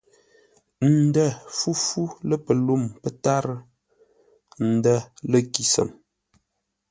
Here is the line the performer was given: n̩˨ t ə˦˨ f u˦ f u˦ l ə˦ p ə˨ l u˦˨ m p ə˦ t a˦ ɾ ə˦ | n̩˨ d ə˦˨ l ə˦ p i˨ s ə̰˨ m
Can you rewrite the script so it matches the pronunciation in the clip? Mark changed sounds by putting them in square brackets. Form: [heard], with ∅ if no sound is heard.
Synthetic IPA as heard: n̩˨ [d] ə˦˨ f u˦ f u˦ l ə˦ p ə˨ l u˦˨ m p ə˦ t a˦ ɾ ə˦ | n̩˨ d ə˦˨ l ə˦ [k] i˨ s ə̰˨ m